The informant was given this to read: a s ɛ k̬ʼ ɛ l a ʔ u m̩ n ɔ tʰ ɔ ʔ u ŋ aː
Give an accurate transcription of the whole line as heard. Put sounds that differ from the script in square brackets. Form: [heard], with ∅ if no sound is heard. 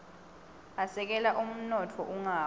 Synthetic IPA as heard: a s ɛ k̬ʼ ɛ l a ʔ u m̩ n ɔ tʰ ɔ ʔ u ŋ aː